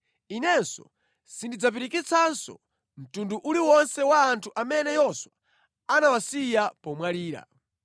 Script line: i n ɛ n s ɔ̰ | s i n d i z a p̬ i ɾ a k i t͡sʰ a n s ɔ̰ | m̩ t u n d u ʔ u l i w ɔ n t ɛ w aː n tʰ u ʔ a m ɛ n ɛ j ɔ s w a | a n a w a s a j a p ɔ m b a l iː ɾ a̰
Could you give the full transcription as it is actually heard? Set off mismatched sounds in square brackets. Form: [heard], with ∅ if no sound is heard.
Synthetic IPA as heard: i n ɛ n s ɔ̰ | s i n d i [d͡z] a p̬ i ɾ [i] k i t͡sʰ a n s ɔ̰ | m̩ t u n d u ʔ u l i w ɔ n [s] ɛ w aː n tʰ u ʔ a m ɛ n ɛ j ɔ s w a | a n a w a s [i] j a p ɔ m [w] a l iː ɾ a̰